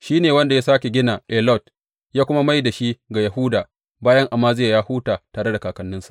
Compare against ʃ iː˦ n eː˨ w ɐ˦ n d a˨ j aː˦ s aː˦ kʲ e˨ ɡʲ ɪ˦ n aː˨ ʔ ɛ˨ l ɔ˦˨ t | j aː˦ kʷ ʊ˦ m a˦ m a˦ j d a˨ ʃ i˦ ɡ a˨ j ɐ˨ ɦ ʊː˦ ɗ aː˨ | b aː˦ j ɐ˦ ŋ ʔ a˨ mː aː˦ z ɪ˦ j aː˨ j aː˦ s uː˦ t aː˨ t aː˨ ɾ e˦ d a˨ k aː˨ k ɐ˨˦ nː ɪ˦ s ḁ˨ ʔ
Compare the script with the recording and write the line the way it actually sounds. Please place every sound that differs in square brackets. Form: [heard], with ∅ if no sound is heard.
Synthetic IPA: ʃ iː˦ n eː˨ w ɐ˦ n d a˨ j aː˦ s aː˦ kʲ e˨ ɡʲ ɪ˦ n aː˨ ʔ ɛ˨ l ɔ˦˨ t | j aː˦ kʷ ʊ˦ m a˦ m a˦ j d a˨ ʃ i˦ ɡ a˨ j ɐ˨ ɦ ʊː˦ [d] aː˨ | b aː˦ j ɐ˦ ŋ ʔ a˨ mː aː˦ z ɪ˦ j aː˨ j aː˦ [h] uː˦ t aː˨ t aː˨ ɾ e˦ d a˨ k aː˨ k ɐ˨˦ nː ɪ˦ s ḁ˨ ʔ